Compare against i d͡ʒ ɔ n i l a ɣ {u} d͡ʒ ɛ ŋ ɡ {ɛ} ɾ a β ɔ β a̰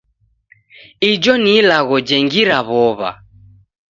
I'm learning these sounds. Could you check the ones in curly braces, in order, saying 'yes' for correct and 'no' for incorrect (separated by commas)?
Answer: no, no